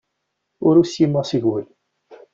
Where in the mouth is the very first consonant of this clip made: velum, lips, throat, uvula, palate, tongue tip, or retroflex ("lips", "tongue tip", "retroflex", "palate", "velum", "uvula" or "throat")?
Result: tongue tip